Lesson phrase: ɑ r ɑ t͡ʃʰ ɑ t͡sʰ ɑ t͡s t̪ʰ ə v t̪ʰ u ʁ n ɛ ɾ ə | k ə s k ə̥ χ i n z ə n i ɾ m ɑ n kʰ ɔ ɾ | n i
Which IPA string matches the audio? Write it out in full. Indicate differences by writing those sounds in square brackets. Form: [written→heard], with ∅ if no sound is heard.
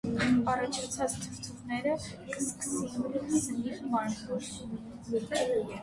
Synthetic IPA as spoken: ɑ r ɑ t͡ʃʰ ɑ t͡sʰ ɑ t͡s t̪ʰ ə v t̪ʰ u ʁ n ɛ ɾ ə | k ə s k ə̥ [χ→s] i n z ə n i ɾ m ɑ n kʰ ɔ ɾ | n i